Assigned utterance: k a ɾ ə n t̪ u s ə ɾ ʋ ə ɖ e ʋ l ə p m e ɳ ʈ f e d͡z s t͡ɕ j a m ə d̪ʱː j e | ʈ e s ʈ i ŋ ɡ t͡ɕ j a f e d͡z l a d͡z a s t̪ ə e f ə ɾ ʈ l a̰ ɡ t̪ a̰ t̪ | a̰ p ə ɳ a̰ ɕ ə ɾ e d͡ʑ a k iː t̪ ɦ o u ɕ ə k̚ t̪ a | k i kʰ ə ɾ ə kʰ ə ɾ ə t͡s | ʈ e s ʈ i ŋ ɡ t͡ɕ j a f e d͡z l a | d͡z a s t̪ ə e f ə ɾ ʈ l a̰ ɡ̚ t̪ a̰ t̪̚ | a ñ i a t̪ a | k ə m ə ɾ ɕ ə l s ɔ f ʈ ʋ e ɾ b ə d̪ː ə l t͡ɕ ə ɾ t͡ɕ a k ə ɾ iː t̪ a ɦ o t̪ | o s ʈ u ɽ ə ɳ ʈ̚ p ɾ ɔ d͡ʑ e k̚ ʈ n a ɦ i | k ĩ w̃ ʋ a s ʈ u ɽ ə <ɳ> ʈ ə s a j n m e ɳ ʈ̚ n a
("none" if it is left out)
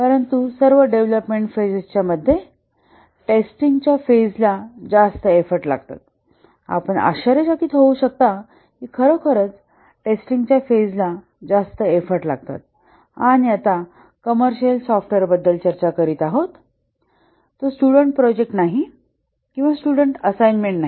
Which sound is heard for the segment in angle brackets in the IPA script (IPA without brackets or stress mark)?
ɳ